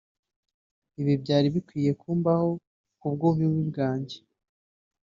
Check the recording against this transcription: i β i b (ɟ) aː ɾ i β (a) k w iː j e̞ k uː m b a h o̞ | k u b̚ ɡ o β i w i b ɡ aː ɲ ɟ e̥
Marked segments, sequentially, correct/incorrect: correct, incorrect

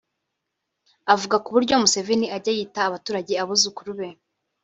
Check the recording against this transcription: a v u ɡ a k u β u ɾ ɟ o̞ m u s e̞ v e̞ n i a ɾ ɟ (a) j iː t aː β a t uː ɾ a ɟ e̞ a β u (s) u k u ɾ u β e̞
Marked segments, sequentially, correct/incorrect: correct, incorrect

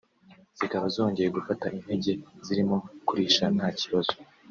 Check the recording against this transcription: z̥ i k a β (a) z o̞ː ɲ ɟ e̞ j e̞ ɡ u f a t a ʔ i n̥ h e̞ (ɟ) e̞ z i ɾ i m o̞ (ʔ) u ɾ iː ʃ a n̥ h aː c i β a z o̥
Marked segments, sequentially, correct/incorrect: correct, correct, incorrect

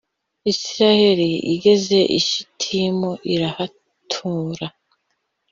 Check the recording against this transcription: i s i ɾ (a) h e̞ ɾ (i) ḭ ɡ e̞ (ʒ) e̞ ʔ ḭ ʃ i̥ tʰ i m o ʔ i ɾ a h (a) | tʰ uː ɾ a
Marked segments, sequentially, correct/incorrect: correct, correct, incorrect, correct

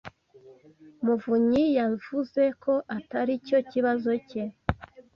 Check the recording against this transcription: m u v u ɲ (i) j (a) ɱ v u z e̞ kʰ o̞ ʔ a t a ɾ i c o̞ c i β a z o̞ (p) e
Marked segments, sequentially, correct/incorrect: correct, correct, incorrect

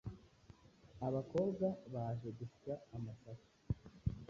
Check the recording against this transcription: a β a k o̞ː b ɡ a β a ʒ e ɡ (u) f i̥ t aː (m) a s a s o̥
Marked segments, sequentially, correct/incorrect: correct, correct

